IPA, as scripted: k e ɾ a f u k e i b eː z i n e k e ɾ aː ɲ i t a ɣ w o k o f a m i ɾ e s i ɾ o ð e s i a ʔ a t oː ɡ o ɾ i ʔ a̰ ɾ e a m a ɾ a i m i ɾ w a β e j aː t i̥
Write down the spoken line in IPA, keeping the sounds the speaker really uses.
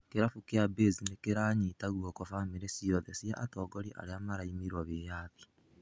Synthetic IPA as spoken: k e ɾ a f u k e a b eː z i n e k e ɾ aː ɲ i t a ɣ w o k o f a m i ɾ e s i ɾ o ð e s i a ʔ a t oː ɡ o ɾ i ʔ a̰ ɾ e a m a ɾ a i m i ɾ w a β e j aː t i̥